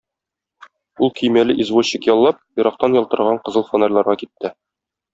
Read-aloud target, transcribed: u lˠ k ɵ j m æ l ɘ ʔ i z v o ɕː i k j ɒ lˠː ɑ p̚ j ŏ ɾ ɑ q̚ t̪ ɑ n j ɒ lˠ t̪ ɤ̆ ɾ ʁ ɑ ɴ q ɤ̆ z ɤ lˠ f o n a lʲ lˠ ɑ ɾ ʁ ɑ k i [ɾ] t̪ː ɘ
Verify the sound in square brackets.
incorrect: none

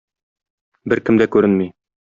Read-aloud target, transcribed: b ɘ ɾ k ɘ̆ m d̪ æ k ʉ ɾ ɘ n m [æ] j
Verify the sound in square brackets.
incorrect: i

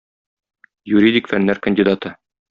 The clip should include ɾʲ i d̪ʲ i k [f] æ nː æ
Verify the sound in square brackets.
correct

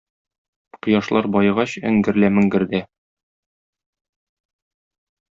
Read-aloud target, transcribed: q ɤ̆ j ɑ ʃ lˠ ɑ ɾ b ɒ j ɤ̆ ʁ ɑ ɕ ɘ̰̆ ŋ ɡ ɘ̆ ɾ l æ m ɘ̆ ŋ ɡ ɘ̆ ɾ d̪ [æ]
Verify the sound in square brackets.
correct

